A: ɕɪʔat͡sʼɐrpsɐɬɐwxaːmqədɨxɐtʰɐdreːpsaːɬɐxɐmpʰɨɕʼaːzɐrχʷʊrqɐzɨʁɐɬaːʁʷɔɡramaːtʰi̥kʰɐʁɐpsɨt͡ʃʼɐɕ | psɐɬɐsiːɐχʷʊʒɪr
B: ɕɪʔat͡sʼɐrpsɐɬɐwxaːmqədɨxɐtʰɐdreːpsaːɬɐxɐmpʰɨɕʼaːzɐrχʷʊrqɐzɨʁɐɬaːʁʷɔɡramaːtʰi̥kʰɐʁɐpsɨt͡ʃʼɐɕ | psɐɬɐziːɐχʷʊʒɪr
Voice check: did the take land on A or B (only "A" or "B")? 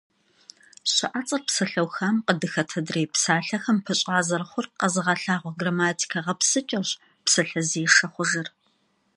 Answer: B